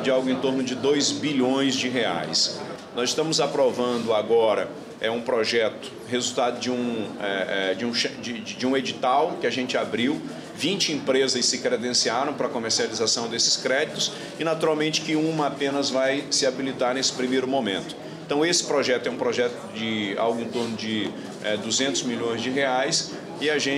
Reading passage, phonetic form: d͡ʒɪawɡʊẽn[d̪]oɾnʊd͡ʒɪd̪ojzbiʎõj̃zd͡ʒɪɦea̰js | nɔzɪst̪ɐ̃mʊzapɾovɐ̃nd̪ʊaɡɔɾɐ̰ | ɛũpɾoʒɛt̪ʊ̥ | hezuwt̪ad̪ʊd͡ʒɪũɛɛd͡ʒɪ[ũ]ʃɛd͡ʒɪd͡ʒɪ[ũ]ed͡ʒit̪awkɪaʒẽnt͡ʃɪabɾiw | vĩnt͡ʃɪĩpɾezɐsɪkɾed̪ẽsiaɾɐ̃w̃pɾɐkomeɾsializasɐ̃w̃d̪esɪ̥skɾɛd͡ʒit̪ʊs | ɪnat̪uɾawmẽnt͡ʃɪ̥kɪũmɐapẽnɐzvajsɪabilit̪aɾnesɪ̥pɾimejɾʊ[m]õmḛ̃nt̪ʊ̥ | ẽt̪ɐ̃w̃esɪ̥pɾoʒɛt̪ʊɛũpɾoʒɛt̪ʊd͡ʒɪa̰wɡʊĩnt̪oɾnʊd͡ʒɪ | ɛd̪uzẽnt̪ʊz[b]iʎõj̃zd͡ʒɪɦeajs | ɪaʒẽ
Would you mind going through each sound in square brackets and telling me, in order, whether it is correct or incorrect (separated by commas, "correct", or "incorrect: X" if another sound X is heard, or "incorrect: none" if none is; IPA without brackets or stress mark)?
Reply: incorrect: t̪, correct, correct, correct, incorrect: m